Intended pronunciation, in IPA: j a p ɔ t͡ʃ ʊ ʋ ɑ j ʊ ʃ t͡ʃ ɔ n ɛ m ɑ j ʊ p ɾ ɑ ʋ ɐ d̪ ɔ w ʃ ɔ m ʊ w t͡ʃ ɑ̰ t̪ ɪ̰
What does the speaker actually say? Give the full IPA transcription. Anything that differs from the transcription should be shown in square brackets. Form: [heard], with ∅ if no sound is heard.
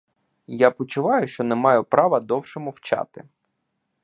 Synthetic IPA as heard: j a p ɔ t͡ʃ ʊ ʋ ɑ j ʊ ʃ t͡ʃ ɔ n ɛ m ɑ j ʊ p ɾ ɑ ʋ ɐ d̪ ɔ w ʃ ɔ m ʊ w t͡ʃ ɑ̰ t̪ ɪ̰